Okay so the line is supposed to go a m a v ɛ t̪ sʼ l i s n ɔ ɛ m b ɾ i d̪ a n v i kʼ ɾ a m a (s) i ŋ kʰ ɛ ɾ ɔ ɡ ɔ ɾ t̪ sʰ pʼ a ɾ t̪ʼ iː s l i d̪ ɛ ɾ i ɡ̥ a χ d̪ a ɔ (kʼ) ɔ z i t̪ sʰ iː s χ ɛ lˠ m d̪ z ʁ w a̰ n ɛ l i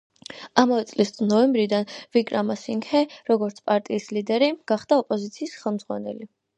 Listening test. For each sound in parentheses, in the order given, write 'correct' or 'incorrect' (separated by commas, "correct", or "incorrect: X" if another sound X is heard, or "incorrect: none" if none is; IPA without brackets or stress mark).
correct, incorrect: pʼ